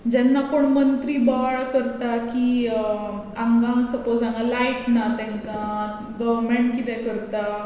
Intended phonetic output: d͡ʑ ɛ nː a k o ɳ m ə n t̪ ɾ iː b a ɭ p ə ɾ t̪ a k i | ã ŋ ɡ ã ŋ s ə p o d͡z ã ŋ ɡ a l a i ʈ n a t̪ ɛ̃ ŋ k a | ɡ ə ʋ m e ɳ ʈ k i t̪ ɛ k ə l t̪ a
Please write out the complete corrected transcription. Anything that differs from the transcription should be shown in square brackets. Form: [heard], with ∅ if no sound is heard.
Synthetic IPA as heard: d͡ʑ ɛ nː a k o ɳ m ə n t̪ ɾ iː b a ɭ [k] ə ɾ t̪ a k i | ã ŋ ɡ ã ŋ s ə p o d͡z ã ŋ ɡ a l a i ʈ n a t̪ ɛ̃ ŋ k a | ɡ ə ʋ m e ɳ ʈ k i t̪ ɛ k ə [ɾ] t̪ a